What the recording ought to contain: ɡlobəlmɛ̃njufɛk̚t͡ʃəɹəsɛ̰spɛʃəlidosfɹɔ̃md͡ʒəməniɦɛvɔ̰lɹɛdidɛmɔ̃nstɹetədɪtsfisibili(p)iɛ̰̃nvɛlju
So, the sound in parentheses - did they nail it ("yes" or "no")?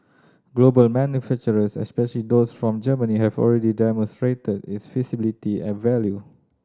no